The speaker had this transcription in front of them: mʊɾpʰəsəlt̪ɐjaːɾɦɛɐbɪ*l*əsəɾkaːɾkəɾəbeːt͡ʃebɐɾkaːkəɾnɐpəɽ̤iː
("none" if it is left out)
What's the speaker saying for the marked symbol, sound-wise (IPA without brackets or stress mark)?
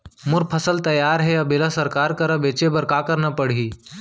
l